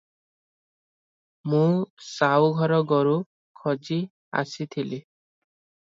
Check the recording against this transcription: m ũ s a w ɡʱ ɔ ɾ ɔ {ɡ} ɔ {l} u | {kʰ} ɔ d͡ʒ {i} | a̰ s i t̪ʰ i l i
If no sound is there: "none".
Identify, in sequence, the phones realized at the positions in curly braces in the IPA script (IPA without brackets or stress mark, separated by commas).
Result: ɡ, ɾ, kʰ, i